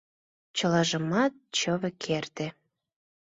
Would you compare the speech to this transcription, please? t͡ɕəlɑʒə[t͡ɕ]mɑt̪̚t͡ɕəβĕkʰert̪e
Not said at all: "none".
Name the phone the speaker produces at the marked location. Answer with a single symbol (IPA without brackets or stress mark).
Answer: none